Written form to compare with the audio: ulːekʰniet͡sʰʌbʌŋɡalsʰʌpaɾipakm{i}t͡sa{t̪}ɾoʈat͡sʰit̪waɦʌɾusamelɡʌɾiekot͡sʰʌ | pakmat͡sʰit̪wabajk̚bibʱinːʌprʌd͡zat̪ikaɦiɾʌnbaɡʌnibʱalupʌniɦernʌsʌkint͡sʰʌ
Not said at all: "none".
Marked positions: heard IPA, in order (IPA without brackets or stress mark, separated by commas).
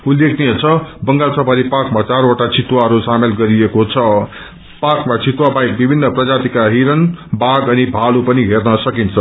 a, none